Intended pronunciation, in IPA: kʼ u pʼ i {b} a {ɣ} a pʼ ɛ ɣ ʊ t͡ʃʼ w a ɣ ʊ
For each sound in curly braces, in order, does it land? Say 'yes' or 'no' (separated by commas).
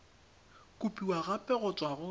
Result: no, yes